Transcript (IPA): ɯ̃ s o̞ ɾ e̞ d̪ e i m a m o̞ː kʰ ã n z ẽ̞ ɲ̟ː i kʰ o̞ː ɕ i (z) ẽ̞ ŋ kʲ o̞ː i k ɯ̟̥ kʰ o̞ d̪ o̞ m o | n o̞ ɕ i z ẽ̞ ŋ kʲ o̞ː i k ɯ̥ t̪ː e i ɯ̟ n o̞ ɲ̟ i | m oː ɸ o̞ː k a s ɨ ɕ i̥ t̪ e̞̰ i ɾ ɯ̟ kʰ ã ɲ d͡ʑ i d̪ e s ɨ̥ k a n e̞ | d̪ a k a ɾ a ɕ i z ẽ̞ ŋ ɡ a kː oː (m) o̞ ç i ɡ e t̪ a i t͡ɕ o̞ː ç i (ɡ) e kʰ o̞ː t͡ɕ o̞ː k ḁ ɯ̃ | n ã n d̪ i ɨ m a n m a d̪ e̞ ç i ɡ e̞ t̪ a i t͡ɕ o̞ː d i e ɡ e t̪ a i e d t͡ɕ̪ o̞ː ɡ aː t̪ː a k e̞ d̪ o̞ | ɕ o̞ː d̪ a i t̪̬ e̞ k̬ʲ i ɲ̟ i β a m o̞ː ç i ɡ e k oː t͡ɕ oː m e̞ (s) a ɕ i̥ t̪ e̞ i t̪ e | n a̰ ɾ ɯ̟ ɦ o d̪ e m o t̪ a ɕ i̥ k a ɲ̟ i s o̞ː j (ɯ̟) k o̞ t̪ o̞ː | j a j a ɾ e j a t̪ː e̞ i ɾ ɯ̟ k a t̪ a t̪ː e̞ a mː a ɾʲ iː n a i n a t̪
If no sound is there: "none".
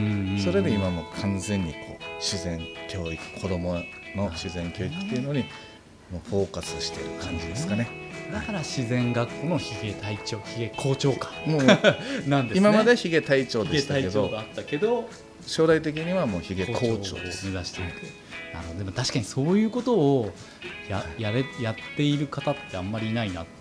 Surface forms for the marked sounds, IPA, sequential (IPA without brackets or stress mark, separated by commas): z, n, ɡ, z, ɯ̟ː